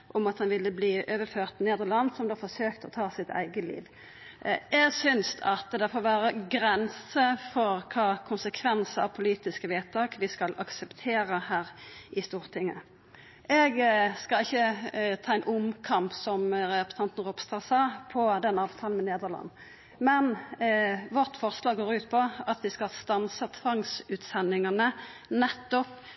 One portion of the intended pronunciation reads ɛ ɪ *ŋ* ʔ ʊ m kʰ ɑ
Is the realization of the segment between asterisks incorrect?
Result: yes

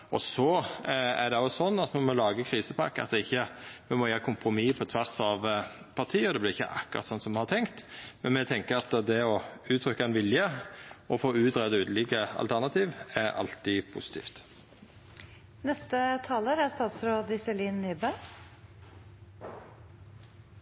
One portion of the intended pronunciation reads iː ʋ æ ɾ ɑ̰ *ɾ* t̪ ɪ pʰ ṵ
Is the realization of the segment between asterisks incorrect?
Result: yes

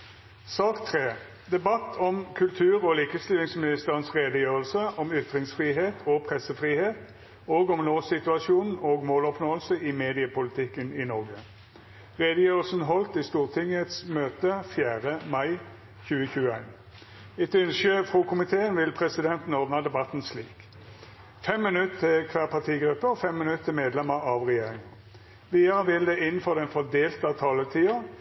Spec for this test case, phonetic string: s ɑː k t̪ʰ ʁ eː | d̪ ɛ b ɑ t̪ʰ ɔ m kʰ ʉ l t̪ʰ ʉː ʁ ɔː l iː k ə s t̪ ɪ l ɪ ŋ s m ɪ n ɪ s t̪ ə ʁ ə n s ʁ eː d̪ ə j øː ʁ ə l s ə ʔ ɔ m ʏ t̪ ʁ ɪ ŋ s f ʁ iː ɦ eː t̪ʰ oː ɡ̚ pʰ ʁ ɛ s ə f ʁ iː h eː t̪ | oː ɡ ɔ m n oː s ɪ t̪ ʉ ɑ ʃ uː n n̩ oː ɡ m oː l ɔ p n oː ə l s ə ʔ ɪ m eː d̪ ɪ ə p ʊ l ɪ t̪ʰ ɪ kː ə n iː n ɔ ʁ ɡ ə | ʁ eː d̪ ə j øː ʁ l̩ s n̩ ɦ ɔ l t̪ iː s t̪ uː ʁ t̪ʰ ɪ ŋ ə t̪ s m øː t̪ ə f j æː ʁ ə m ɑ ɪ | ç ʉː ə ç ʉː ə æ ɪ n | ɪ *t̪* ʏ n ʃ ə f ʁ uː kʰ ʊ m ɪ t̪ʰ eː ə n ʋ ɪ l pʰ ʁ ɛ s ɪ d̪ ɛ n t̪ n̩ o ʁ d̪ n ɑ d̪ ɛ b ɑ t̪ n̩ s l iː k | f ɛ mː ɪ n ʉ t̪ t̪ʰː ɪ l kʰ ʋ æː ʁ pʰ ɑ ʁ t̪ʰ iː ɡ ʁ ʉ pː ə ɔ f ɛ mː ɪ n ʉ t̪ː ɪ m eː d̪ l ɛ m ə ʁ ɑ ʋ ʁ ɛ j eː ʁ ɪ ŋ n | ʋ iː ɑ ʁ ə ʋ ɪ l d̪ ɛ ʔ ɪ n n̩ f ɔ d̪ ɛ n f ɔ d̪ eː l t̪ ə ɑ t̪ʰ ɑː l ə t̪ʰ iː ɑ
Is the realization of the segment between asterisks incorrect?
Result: no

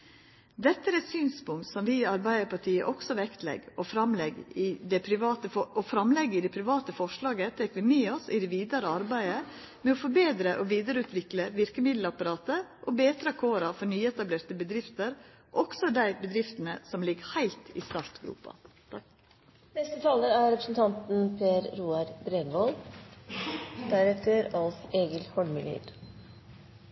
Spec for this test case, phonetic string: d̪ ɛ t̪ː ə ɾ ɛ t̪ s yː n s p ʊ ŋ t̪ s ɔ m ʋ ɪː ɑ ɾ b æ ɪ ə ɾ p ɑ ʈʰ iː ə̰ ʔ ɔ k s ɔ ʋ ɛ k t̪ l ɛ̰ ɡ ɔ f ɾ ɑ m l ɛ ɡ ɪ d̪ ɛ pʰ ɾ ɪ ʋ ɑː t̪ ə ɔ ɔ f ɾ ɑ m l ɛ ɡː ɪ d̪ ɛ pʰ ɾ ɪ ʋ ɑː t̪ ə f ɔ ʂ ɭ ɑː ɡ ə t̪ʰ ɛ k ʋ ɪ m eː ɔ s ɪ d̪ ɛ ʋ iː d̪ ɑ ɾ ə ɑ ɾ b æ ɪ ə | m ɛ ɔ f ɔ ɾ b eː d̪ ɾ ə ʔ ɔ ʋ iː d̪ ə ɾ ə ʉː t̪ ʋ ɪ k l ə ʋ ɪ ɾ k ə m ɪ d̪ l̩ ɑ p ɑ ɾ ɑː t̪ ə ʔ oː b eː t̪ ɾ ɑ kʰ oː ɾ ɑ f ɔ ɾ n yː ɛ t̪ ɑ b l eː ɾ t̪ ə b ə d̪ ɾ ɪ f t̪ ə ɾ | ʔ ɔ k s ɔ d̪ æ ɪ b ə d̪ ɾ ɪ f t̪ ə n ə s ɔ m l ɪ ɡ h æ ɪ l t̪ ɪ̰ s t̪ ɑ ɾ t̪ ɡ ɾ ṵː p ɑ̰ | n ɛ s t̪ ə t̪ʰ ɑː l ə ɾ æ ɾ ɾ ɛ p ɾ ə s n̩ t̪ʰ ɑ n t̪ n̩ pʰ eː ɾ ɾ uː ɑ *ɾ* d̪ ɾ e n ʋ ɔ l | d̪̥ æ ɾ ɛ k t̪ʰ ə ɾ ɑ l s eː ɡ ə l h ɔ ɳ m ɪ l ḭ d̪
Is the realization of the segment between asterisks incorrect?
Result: no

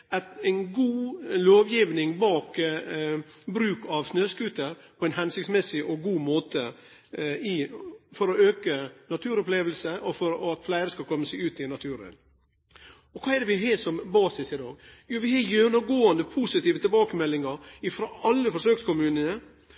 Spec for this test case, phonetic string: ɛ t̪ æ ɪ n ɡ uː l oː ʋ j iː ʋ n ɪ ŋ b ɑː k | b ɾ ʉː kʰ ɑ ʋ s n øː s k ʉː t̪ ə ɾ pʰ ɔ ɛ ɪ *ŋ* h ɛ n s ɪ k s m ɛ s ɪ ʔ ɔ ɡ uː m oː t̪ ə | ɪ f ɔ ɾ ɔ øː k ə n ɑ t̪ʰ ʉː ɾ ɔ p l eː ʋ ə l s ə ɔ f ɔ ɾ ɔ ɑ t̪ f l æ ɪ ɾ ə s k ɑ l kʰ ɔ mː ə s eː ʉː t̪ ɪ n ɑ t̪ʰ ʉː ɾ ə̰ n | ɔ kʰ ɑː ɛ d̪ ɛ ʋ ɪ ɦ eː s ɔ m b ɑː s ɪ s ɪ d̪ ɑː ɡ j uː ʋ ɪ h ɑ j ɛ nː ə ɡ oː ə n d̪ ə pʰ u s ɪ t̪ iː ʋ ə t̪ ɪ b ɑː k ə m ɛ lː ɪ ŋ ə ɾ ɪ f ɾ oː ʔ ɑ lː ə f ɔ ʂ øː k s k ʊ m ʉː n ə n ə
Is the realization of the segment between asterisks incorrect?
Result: yes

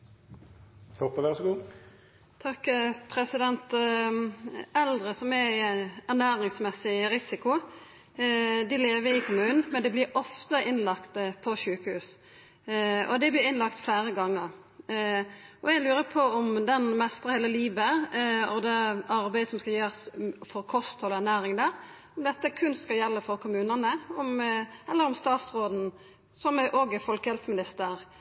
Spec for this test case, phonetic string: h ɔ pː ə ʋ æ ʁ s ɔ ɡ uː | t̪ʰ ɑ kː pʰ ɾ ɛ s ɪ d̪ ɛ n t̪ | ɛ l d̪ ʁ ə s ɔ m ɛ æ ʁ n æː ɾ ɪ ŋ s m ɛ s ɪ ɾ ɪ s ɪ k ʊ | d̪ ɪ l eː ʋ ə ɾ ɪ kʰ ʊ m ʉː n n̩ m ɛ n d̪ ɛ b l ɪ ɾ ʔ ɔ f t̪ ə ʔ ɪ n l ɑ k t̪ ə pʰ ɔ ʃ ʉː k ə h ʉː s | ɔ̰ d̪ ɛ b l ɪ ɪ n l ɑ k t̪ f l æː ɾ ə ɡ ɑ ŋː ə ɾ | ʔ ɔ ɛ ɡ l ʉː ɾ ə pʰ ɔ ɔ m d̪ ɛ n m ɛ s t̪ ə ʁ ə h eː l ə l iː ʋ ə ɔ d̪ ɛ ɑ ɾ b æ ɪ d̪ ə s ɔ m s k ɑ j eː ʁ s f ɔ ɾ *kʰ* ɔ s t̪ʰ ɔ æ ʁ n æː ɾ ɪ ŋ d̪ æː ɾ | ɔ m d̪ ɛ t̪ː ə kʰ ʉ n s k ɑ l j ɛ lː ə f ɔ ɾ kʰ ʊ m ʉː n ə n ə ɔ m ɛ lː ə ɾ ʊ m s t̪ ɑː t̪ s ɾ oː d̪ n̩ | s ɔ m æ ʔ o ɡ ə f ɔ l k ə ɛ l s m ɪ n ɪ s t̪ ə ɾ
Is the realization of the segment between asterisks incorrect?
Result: no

